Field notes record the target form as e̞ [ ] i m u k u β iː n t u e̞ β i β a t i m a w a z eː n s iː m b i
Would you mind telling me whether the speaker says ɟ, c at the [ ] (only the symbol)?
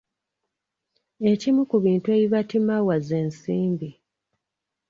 c